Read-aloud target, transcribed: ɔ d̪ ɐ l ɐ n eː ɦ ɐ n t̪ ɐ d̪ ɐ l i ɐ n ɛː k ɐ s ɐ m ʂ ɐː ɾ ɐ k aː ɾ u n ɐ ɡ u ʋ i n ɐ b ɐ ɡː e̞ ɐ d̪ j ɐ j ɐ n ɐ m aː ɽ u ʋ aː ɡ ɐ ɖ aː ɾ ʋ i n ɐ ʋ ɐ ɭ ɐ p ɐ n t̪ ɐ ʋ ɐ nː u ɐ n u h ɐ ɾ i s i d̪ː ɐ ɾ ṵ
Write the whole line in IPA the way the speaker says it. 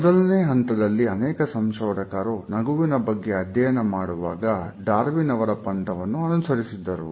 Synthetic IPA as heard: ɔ d̪ ɐ l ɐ n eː ɦ ɐ n t̪ ɐ d̪ ɐ lː i ɐ n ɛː k ɐ s ɐ m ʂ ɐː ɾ ɐ k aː ɾ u n ɐ ɡ u ʋ i n ɐ b ɐ ɡː e̞ ɐ d̪ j ɐ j ɐ n ɐ m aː ɽ u ʋ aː ɡ ɐ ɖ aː ɾ ʋ i n ɐ ʋ ɐ ɾ ɐ p ɐ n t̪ ɐ ʋ ɐ nː u ɐ n u s ɐ ɾ i s i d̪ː ɐ ɾ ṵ